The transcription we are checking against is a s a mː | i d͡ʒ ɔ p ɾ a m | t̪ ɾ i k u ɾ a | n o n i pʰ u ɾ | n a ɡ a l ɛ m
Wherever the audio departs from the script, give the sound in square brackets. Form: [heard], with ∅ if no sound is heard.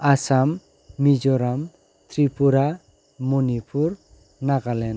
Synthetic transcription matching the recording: a s a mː | i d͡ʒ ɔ [∅] ɾ a m | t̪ ɾ i [p] u ɾ a | [m] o n i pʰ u ɾ | n a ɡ a l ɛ [n]